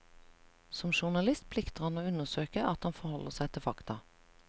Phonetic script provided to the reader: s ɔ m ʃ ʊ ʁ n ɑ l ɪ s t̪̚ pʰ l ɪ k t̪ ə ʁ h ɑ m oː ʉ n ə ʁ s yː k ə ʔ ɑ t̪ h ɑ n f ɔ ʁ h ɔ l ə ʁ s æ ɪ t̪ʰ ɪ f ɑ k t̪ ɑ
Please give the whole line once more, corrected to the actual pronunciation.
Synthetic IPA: s ɔ m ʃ ʊ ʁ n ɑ l ɪ s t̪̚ pʰ l ɪ k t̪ ə ʁ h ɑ n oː ʉ n ə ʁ s øː k ə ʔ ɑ t̪ h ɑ n f ɔ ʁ h ɔ l ə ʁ s æ ɪ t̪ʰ ɪ f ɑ k t̪ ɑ